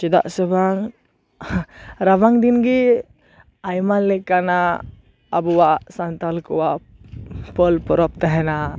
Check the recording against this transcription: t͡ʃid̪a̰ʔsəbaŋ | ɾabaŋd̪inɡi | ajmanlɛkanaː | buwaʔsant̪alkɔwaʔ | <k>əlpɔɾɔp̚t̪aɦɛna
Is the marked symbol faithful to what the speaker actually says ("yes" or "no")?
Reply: no